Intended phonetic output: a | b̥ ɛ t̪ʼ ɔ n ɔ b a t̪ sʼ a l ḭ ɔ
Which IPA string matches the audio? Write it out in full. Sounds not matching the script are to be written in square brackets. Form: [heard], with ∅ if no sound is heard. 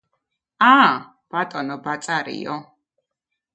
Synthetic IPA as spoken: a | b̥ [a] t̪ʼ ɔ n ɔ b a t̪ sʼ a [ɾ] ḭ ɔ